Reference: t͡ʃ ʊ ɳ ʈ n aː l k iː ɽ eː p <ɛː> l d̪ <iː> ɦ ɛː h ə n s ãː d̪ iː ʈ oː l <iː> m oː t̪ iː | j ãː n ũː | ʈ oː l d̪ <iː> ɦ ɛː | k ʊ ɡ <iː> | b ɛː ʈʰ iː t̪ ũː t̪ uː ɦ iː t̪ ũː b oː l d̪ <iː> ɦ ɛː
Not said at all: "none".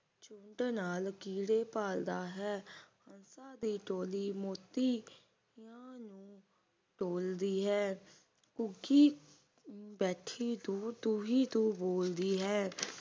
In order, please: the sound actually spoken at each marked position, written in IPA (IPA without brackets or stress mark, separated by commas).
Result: aː, aː, iː, iː, iː, iː